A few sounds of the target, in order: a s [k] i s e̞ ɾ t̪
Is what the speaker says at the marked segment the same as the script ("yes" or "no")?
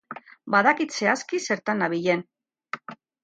yes